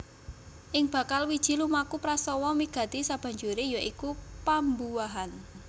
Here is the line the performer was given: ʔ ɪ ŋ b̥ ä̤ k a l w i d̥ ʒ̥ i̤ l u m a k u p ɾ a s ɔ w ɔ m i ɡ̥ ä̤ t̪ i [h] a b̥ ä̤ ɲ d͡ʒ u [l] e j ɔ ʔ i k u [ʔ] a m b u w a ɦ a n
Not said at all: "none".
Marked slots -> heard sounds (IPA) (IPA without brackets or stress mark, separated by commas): s, ɾ, p